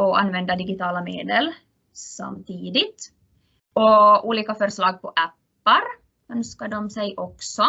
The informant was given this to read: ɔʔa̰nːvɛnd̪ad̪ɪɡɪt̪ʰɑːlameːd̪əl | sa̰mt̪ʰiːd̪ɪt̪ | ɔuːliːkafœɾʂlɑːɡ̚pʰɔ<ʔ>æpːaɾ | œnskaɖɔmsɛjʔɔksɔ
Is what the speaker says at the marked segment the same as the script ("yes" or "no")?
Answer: yes